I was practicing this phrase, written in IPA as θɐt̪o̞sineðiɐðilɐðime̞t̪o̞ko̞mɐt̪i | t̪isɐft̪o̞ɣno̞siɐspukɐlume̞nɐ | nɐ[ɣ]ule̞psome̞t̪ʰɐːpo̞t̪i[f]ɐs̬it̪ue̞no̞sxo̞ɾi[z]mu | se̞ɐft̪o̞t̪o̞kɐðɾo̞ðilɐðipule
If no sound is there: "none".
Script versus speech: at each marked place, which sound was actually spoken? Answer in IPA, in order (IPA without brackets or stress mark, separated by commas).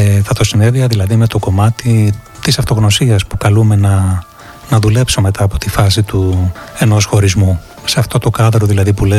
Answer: ð, f, z